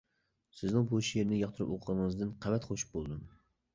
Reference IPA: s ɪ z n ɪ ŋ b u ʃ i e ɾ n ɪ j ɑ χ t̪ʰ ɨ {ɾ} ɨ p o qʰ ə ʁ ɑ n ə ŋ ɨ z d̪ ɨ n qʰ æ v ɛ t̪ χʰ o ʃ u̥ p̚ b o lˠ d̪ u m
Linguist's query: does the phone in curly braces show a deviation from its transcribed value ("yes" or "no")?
no